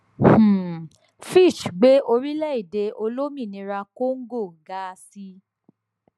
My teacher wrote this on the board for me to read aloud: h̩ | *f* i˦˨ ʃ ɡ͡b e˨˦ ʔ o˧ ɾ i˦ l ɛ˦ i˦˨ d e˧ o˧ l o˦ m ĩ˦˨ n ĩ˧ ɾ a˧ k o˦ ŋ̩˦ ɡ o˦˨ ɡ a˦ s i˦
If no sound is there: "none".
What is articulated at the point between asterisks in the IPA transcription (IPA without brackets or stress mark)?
f